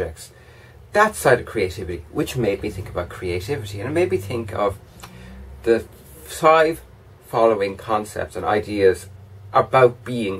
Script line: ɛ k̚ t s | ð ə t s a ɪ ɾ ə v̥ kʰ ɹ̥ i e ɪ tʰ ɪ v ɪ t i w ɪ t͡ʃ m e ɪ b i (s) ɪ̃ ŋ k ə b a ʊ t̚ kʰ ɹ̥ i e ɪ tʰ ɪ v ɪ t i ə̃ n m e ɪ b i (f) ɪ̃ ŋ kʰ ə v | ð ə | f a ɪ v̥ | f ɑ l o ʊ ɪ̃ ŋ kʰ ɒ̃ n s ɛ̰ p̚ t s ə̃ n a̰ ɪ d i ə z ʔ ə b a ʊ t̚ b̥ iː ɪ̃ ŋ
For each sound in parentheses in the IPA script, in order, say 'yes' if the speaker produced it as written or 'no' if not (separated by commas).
no, no